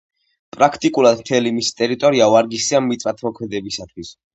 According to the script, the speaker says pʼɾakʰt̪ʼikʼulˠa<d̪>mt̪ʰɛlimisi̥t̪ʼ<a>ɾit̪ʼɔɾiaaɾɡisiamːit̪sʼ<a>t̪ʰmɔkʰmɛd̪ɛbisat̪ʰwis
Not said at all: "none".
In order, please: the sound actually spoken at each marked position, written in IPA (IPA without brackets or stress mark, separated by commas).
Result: d̪, ɛ, a